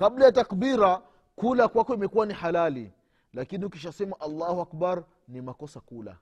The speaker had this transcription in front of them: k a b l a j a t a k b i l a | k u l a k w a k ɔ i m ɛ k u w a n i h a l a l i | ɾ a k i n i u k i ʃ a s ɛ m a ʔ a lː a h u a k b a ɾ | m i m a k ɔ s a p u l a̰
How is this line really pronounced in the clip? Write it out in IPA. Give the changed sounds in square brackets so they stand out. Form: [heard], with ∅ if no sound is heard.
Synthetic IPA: k a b l a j a t a k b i [ɾ] a | k u l a k w a k ɔ i m ɛ k u w a n i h a l a l i | [l] a k i n i u k i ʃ a s ɛ m a ʔ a lː a h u a k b a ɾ | [n] i m a k ɔ s a [k] u l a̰